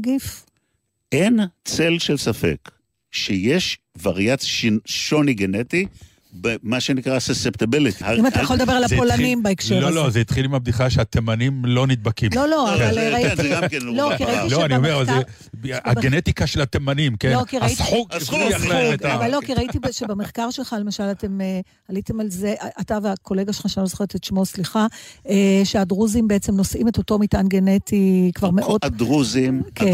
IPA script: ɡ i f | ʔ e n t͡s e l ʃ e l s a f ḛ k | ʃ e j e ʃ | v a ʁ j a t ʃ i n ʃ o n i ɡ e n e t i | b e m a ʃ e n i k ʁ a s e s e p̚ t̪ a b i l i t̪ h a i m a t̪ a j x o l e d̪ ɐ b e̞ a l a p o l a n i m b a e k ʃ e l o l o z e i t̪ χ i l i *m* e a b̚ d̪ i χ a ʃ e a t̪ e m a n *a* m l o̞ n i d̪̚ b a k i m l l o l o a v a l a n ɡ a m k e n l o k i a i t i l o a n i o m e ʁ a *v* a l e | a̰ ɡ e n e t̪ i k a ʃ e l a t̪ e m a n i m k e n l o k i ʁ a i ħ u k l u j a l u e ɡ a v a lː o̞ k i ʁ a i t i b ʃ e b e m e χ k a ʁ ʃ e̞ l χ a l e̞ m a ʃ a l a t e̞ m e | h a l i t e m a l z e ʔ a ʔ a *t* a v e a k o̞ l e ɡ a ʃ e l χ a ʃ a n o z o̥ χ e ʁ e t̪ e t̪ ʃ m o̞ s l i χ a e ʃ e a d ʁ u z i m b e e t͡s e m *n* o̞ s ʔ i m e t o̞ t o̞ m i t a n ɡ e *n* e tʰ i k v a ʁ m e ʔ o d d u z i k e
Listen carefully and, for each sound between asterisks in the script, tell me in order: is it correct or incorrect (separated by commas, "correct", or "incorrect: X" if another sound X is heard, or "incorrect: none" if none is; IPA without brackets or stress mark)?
correct, incorrect: i, correct, correct, correct, correct